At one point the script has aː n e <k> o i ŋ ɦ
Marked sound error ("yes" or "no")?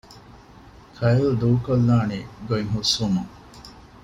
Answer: yes